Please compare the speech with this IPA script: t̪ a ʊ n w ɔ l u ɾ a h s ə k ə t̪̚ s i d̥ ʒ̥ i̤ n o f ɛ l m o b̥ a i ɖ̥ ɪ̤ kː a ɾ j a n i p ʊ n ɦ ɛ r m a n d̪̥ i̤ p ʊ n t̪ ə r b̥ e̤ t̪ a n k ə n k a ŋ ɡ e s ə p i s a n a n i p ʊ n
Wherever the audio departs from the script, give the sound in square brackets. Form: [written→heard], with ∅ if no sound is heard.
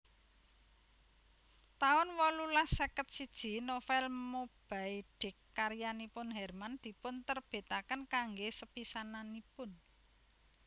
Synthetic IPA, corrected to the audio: t̪ a ʊ n w ɔ l u [ɾ→l] a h s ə k ə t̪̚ s i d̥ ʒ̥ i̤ n o f ɛ l m o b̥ a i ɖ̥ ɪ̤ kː a ɾ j a n i p ʊ n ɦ ɛ r m a n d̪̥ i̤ p ʊ n t̪ ə r b̥ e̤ t̪ a [n→∅] k ə n k a ŋ ɡ e s ə p i s a n a n i p ʊ n